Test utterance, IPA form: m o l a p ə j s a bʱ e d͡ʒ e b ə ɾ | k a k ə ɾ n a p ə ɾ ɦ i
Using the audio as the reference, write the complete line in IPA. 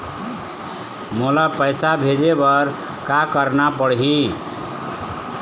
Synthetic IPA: m o l a p ə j s a bʱ e d͡ʒ e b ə ɾ | k a k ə ɾ n a p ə ɽ ɦ i